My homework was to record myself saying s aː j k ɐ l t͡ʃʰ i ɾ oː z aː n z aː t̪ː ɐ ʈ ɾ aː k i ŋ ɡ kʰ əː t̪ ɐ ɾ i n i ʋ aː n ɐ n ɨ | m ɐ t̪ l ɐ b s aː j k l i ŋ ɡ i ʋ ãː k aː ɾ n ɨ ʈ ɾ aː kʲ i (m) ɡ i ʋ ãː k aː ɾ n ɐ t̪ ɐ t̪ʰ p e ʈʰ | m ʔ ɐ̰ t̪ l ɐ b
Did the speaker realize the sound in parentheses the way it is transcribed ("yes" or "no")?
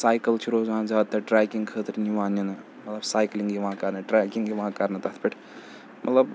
no